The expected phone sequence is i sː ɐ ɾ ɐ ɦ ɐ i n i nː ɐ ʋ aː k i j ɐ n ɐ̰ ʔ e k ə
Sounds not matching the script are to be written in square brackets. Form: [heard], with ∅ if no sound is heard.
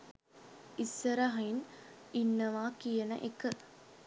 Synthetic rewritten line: i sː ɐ ɾ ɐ ɦ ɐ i n i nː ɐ ʋ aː k i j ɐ n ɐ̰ ʔ e k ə